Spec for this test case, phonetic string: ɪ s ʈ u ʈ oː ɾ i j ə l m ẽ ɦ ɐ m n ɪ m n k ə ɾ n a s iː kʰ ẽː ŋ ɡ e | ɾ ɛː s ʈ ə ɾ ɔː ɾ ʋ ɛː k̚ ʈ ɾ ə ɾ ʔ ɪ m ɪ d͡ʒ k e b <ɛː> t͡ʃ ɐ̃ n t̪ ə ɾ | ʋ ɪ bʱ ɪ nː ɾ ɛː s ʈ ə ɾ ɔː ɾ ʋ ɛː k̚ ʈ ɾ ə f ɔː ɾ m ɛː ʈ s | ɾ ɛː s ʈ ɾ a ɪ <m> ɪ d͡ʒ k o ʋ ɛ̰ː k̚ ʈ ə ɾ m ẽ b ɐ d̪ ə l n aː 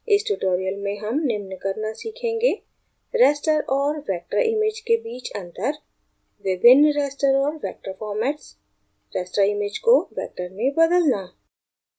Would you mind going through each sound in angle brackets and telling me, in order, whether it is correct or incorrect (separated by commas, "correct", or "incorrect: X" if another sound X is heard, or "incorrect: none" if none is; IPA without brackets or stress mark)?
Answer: incorrect: iː, correct